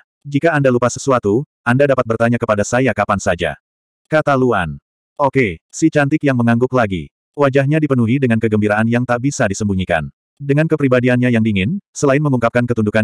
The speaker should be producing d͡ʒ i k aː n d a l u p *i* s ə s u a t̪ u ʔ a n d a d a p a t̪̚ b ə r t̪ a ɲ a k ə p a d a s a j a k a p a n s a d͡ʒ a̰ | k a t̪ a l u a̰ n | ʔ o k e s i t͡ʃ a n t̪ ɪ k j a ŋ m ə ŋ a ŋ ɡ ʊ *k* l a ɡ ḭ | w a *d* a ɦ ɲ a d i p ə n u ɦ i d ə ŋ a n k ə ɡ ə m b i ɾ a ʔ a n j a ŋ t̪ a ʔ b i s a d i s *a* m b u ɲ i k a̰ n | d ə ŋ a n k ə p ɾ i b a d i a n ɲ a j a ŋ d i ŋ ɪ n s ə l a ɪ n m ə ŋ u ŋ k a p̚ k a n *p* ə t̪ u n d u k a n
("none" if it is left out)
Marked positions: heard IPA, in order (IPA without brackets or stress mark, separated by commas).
a, k, d͡ʒ, ə, k